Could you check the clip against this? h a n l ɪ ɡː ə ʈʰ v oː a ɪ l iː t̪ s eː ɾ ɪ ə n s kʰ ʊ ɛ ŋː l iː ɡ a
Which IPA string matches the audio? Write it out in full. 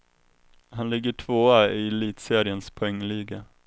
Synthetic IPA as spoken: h a n l ɪ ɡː ə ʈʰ v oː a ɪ l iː t̪ s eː ɾ ɪ ə n s pʰ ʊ ɛ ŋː l iː ɡ a